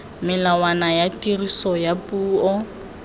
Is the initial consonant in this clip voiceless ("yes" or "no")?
no